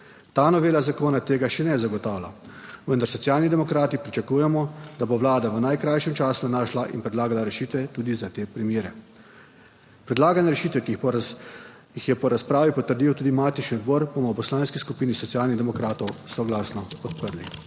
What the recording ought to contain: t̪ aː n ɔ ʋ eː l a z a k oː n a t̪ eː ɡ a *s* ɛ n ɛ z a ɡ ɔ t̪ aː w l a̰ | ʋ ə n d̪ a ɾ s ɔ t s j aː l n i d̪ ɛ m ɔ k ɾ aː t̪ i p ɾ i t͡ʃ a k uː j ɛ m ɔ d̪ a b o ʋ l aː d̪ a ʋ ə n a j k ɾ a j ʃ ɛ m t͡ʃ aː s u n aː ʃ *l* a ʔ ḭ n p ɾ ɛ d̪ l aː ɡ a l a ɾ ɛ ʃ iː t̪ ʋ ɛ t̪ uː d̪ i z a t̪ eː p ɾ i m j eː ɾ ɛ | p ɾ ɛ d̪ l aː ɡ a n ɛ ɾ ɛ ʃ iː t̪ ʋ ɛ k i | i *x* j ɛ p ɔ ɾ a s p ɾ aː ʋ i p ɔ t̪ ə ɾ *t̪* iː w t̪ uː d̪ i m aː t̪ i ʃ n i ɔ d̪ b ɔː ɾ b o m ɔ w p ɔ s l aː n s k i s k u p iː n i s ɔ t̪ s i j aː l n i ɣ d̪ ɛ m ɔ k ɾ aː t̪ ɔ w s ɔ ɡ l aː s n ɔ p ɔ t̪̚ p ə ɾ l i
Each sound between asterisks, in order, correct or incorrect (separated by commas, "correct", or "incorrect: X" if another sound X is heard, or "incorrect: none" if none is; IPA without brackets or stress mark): incorrect: ʃ, correct, correct, incorrect: d̪